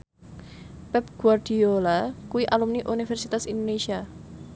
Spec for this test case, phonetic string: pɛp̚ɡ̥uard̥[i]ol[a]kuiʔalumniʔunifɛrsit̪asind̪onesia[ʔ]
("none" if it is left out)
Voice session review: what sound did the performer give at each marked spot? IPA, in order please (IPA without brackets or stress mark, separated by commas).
i, a, none